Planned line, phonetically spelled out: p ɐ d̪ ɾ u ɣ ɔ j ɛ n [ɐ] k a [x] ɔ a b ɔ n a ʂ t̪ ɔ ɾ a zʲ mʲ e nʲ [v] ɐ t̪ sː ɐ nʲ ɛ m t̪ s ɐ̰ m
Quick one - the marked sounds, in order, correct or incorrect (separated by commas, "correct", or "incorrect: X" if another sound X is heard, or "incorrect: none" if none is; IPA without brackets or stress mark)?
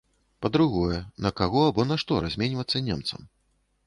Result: correct, incorrect: ɣ, correct